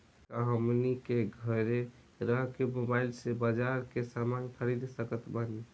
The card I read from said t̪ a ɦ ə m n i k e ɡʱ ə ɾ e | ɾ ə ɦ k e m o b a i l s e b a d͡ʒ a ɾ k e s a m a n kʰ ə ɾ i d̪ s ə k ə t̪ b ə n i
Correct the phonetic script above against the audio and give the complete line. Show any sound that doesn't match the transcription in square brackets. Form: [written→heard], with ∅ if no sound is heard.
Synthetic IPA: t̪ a ɦ ə m n i k e ɡʱ ə ɾ e | ɾ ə ɦ k e m o b a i l s e b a d͡ʒ a ɾ k e s a m a n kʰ ə ɾ i d̪ s ə k ə t̪ b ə n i

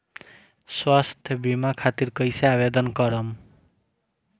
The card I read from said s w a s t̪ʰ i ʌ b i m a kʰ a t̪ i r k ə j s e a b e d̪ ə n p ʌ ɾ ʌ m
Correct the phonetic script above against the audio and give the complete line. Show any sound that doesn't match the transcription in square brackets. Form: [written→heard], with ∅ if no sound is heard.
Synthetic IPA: s w a s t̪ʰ [i→j] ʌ b i m a kʰ a t̪ i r k [ə→ʌ] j s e a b e d̪ [ə→ʌ] n [p→k] ʌ ɾ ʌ m

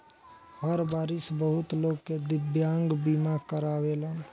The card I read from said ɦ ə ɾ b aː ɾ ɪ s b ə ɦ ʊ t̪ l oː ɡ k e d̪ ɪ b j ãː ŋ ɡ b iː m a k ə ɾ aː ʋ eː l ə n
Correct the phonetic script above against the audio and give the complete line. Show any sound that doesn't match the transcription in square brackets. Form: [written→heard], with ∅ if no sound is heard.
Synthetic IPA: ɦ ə ɾ b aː ɾ ɪ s b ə ɦ ʊ t̪ l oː ɡ k e d̪ ɪ b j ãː ŋ ɡ b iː m a k ə ɾ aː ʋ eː l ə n

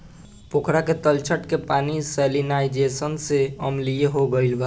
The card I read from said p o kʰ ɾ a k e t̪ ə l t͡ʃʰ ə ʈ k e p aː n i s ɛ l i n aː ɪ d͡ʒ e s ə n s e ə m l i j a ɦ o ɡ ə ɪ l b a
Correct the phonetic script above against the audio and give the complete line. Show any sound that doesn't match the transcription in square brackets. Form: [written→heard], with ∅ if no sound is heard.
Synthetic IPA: p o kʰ ɾ a k e t̪ ə l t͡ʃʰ ə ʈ k e p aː n i s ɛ l i n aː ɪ d͡ʒ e s ə n s e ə m l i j [a→e] ɦ o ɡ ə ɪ l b a

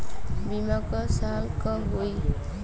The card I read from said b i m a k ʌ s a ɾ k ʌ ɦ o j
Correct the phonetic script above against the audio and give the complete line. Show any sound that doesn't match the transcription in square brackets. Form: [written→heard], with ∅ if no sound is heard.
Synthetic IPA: b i m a k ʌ s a [ɾ→l] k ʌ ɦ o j

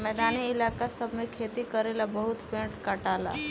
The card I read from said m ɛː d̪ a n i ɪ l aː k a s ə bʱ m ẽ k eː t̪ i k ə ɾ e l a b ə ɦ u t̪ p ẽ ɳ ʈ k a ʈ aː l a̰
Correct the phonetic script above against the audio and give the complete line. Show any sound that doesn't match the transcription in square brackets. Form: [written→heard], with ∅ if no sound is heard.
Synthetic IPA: m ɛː d̪ a n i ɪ l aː k a s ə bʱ m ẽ [k→kʰ] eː t̪ i k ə ɾ e l a b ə ɦ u t̪ p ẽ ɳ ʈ k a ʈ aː l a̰

